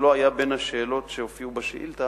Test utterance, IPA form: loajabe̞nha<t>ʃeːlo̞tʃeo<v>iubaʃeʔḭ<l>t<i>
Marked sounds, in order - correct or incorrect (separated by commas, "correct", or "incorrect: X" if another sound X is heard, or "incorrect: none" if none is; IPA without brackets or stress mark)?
incorrect: none, incorrect: f, correct, incorrect: a